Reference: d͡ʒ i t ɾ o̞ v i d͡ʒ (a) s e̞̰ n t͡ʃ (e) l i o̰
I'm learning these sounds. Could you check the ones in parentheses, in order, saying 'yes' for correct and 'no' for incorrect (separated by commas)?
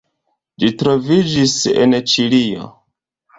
no, no